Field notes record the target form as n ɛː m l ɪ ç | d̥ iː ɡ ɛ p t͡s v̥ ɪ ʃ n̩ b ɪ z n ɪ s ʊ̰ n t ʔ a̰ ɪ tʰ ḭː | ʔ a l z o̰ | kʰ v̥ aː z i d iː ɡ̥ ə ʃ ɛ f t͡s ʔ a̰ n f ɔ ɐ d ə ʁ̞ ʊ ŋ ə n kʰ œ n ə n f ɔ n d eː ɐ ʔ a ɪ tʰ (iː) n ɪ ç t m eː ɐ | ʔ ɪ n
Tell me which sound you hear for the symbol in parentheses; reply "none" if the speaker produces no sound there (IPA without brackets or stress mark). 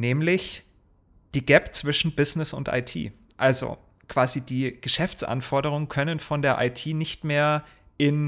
iː